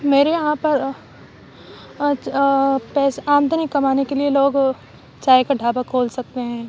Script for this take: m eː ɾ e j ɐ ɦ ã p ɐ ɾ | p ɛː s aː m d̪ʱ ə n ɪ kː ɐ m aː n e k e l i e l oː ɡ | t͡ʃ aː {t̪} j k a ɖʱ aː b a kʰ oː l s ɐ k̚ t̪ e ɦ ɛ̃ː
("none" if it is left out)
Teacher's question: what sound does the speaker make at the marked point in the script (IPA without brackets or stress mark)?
none